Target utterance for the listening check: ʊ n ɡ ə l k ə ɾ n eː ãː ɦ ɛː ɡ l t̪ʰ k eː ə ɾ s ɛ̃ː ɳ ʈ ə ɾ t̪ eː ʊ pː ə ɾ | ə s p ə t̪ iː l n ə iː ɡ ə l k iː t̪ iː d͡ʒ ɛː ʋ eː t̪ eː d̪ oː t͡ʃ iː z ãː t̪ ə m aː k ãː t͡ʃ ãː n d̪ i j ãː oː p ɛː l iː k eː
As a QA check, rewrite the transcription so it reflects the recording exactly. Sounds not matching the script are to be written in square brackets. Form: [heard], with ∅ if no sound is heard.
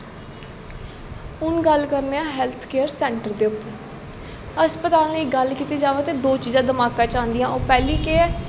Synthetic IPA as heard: ʊ n ɡ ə l k ə ɾ n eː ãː ɦ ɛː [∅] l t̪ʰ k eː ə ɾ s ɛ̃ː ɳ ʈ ə ɾ [d̪] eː ʊ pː ə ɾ | ə s p ə t̪ [aː] l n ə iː ɡ ə l k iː t̪ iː d͡ʒ [aː] ʋ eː t̪ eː d̪ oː t͡ʃ iː z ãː [d̪] ə m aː k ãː t͡ʃ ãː n d̪ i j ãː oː p ɛː l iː k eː